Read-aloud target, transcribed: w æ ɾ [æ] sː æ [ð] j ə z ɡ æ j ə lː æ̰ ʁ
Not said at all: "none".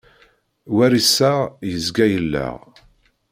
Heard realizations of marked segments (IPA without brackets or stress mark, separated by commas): i, ʁ